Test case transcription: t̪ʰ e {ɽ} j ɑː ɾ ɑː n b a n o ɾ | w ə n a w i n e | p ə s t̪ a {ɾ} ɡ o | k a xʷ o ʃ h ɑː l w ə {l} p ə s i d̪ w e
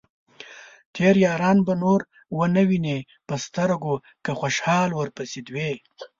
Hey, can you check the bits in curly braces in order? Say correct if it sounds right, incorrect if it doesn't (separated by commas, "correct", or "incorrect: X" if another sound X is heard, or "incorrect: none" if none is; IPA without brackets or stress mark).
incorrect: ɾ, correct, incorrect: ɾ